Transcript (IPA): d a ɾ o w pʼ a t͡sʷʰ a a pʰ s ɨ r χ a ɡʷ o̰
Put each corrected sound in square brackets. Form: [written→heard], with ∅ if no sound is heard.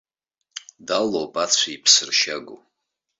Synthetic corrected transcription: d a [ɾ→l] o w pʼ a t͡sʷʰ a [a→i] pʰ s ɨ r [χ→ʃ] a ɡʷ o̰